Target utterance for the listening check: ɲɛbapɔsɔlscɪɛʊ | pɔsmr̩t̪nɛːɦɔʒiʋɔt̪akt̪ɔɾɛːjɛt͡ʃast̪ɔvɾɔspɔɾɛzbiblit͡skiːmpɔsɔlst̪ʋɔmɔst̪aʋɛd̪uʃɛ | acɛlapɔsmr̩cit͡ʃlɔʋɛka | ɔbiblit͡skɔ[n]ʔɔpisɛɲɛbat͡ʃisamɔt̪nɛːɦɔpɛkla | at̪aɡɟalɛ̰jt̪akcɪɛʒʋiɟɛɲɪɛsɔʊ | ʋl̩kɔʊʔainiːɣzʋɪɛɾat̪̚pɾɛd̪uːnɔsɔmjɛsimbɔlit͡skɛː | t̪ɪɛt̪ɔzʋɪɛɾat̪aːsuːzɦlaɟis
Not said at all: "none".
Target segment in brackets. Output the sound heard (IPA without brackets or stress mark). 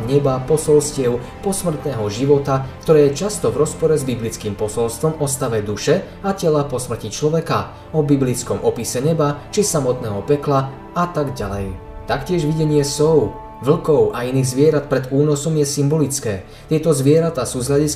m